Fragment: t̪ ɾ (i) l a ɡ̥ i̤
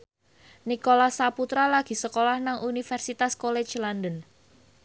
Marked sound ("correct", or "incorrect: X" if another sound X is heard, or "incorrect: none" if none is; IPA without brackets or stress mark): incorrect: a